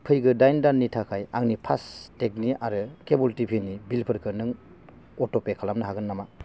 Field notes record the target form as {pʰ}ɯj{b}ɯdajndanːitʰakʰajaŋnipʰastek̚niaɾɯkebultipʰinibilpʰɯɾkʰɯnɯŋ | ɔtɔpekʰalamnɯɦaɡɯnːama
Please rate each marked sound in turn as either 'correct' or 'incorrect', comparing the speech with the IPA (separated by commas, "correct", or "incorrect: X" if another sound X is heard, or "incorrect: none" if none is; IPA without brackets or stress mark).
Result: correct, incorrect: ɡ